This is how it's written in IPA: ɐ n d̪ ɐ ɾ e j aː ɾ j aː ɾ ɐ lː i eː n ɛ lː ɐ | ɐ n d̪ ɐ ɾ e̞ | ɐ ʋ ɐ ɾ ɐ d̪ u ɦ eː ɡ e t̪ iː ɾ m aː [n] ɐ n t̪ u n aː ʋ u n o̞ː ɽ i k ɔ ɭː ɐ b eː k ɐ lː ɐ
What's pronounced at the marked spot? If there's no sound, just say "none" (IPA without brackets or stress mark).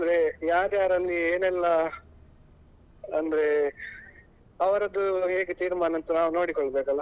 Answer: n